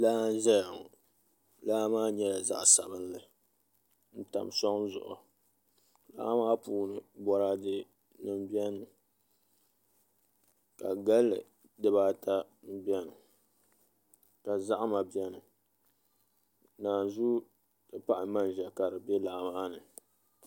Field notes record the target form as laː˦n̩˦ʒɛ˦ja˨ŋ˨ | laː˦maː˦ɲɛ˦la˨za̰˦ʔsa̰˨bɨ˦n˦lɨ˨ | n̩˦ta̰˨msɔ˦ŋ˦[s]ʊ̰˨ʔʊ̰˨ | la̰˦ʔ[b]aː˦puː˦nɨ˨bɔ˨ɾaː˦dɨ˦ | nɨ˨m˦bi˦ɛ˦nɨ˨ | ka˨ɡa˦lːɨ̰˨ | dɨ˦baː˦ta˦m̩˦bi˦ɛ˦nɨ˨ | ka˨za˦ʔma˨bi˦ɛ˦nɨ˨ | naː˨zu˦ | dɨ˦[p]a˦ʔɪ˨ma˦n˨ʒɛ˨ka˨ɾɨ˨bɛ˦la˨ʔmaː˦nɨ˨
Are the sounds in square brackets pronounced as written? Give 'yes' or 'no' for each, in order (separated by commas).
no, no, yes